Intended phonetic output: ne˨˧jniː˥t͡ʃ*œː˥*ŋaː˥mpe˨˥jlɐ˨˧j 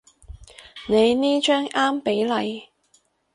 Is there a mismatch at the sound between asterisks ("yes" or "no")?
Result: no